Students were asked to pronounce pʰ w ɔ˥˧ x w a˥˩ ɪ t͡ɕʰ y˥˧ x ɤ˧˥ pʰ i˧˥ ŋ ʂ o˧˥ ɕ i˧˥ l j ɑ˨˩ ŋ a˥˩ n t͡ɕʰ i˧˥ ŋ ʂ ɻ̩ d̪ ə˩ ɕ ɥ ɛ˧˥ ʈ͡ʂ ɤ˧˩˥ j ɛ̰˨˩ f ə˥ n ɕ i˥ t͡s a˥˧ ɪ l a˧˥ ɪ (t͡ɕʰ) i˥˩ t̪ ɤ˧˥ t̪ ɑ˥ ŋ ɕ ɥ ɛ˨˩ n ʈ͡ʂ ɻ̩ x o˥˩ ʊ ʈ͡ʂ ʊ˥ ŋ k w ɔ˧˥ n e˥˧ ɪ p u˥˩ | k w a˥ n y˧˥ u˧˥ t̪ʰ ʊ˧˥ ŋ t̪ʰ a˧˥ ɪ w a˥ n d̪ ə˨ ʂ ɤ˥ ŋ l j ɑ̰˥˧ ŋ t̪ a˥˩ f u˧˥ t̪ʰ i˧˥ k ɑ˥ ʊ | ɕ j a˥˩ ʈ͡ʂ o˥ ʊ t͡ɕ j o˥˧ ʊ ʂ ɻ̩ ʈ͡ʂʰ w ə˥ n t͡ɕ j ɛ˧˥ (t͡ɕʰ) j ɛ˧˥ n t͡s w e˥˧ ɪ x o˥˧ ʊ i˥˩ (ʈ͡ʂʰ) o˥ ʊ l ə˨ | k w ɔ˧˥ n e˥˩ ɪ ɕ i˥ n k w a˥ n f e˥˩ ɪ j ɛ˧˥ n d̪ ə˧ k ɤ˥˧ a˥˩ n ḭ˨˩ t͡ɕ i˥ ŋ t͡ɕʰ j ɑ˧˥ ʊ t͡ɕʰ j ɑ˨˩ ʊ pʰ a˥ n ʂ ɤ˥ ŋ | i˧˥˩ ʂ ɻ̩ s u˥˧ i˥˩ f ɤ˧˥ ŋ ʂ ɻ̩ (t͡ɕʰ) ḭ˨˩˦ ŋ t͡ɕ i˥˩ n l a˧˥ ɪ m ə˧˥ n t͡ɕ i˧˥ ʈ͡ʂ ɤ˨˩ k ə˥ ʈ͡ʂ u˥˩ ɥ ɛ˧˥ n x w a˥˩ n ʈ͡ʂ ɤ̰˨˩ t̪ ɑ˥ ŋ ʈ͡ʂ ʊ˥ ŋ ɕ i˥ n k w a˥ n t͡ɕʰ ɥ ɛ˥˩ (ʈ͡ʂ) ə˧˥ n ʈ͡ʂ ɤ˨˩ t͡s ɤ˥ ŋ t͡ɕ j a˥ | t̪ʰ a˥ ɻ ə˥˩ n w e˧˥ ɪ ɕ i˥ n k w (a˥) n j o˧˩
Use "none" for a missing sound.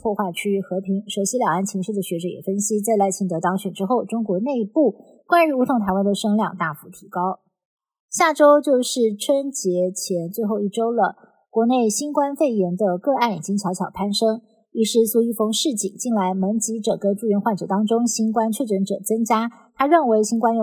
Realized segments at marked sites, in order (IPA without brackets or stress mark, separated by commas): t͡ɕʰ, t͡ɕʰ, ʈ͡ʂ, t͡ɕ, ʈ͡ʂ, a˥